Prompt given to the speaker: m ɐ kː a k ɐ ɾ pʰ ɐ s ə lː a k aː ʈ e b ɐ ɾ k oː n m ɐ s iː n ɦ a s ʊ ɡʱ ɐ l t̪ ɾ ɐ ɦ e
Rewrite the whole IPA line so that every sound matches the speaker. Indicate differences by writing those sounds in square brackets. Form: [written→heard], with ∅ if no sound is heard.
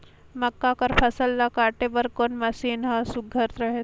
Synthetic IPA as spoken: m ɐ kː a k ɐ ɾ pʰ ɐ s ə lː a k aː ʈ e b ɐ ɾ k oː n m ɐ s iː n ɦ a s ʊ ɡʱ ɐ [l→ɾ] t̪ ɾ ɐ ɦ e

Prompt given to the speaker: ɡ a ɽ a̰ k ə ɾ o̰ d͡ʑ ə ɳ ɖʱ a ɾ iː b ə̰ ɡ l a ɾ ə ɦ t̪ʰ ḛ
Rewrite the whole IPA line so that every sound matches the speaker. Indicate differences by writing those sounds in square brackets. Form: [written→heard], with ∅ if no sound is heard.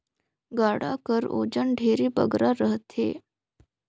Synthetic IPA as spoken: ɡ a ɽ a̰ k ə ɾ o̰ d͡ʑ ə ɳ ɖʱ [a→e] ɾ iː b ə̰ ɡ [l→ɾ] a ɾ ə ɦ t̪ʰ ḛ

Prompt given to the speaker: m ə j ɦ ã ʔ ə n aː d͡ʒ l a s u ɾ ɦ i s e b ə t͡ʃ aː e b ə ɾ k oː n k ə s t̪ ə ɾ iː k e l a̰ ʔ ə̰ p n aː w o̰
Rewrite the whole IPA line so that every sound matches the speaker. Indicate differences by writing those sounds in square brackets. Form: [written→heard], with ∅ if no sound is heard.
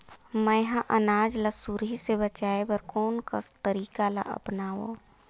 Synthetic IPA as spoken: m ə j ɦ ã ʔ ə n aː d͡ʒ l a s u ɾ ɦ i s e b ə t͡ʃ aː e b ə ɾ k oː n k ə s t̪ ə ɾ iː k [e→a] l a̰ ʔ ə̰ p n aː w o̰

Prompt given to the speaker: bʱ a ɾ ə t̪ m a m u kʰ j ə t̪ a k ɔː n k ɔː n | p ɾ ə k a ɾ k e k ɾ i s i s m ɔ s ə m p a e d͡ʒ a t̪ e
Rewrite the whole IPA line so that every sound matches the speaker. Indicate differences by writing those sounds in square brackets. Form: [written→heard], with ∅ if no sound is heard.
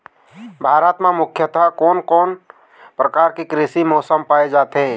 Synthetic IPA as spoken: bʱ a ɾ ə t̪ m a m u kʰ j ə t̪ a k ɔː n k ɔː n | p ɾ ə k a ɾ k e k ɾ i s i [s→∅] m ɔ s ə m p a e d͡ʒ a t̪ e

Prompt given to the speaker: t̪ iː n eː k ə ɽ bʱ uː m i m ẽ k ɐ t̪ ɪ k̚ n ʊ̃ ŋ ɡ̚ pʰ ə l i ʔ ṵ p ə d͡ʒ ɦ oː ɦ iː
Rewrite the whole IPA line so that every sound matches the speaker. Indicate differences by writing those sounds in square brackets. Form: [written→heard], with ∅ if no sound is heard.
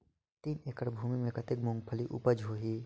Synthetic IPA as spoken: t̪ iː n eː k ə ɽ bʱ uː m i m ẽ k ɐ t̪ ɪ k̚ [n→m] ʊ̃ ŋ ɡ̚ pʰ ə l i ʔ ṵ p ə d͡ʒ ɦ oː ɦ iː

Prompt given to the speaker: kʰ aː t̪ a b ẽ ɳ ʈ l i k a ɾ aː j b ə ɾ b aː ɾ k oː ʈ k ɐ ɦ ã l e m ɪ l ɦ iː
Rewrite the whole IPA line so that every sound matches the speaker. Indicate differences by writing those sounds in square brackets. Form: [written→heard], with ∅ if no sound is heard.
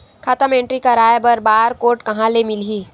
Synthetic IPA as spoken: kʰ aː t̪ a [b→m] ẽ ɳ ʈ [l→ɾ] i k a ɾ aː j b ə ɾ b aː ɾ k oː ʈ k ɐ ɦ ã l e m ɪ l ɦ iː

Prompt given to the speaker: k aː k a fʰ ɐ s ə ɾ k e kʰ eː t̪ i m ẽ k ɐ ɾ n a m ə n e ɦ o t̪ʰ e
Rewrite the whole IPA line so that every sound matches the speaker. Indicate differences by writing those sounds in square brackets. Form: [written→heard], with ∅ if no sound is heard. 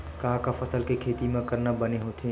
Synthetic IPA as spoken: k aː k a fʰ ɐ s ə [ɾ→l] k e kʰ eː t̪ i m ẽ k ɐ ɾ n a [m→b] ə n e ɦ o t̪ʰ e

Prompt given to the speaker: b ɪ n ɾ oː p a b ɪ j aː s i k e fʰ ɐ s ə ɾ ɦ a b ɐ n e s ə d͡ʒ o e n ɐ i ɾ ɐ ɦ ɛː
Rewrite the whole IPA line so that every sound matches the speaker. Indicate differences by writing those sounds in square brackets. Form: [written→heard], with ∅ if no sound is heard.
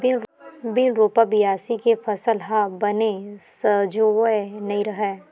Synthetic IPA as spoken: b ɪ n ɾ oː p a b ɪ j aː s i k e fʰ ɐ s ə [ɾ→l] ɦ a b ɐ n e s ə d͡ʒ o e n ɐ i ɾ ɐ ɦ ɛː

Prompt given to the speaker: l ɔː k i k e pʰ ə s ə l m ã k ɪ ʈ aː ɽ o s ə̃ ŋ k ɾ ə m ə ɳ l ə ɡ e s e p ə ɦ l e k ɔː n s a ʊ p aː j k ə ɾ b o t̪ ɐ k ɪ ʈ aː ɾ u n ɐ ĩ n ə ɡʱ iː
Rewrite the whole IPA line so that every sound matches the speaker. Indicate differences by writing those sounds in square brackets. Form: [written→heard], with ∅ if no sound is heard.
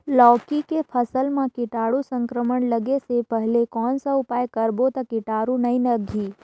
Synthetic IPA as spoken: l ɔː k i k e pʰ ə s ə l m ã k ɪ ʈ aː ɽ [o→u] s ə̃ ŋ k ɾ ə m ə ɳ l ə ɡ e s e p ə ɦ l e k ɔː n s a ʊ p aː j k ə ɾ b o t̪ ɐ k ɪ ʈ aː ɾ u n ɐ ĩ n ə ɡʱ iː

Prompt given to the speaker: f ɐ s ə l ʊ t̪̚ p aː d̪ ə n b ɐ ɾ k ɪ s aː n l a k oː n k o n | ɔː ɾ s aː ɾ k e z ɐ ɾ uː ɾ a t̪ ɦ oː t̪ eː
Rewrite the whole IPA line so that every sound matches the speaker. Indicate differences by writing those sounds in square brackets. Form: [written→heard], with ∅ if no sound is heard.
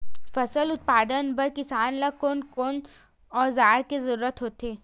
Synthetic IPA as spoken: f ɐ s ə l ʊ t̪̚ p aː d̪ ə n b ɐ ɾ k ɪ s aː n l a k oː n k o n | ɔː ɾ [s→z] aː ɾ k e z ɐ ɾ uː ɾ [a→ə] t̪ ɦ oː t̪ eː

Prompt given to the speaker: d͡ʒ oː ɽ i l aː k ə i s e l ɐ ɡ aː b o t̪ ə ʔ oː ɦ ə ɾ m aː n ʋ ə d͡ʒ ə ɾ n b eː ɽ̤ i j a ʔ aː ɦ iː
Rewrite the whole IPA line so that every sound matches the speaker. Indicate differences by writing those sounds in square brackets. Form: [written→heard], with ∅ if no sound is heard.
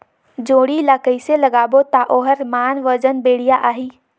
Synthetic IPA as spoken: d͡ʒ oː ɽ i l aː k ə i s e l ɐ ɡ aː b o t̪ [ə→a] ʔ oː ɦ ə ɾ m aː n ʋ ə d͡ʒ ə [ɾ→∅] n b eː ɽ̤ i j a ʔ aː ɦ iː

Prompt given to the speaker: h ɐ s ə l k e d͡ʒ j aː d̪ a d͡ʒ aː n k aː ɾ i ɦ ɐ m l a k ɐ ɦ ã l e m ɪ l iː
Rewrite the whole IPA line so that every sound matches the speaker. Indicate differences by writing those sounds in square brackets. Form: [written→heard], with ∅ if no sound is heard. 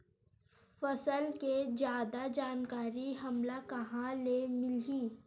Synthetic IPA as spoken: [h→f] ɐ s ə l k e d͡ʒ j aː d̪ a d͡ʒ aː n k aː ɾ i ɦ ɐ m l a k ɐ ɦ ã l e m ɪ l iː

